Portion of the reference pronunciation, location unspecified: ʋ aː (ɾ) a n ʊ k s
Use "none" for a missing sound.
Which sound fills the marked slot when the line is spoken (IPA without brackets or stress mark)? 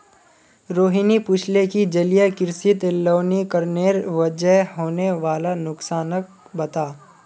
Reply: l